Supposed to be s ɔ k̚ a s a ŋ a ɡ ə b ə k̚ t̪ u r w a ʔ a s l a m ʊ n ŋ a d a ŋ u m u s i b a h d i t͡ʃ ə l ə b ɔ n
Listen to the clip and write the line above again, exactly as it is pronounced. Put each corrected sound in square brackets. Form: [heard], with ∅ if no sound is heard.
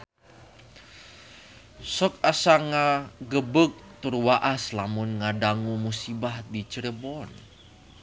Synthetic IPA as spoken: s ɔ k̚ a s a ŋ a ɡ ə b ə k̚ t̪ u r w a ʔ a s l a m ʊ n ŋ a d a ŋ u m u s i b a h d i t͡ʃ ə [ɾ] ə b ɔ n